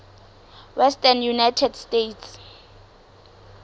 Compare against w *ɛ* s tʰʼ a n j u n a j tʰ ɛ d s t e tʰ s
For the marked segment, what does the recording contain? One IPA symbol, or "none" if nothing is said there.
ɛ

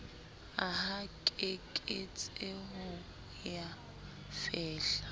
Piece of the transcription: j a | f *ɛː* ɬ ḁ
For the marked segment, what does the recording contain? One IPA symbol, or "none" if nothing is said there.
ɛː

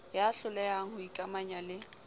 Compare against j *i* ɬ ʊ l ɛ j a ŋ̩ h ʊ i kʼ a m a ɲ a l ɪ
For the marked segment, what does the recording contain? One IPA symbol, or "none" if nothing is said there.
a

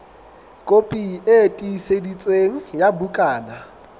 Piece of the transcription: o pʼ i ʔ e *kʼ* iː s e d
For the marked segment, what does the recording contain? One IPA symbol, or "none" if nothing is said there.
tʼ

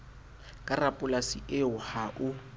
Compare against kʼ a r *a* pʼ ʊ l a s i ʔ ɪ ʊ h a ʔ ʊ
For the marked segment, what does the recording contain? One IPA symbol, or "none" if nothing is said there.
a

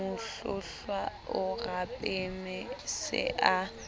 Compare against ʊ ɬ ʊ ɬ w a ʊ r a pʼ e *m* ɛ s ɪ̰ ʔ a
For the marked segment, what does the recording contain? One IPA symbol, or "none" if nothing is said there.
m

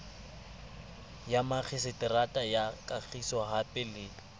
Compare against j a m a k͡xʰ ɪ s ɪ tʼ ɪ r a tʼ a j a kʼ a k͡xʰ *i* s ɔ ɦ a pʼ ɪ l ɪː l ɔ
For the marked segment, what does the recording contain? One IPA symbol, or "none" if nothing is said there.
i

